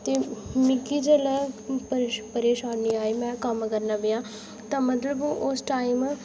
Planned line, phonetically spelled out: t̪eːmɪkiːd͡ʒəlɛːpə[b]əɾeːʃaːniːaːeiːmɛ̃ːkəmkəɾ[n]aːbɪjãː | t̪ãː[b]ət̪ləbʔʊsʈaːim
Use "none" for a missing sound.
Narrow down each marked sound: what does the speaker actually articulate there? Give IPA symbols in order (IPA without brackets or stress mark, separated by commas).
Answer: p, n, m